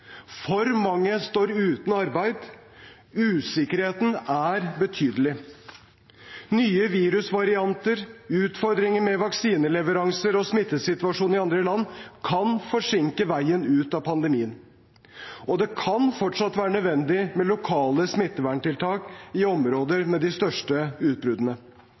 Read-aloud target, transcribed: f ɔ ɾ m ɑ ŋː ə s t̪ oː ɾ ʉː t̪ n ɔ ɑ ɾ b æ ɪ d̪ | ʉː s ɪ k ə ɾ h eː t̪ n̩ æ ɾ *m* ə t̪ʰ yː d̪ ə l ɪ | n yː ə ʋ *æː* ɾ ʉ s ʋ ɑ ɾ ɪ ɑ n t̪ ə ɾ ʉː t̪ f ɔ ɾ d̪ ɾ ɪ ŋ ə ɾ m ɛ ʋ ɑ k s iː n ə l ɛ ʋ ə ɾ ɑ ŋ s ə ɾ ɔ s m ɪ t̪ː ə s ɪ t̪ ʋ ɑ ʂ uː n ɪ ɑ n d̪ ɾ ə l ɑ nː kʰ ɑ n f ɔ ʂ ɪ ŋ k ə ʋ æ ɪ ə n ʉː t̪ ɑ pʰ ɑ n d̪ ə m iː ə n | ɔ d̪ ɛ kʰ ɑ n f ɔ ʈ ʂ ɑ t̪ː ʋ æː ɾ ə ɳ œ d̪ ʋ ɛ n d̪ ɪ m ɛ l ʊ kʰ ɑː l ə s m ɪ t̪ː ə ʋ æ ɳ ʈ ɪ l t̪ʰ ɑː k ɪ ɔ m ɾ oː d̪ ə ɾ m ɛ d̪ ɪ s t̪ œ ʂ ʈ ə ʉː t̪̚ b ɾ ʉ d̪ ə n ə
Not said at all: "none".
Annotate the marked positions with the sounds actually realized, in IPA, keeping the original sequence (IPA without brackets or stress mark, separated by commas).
b, iː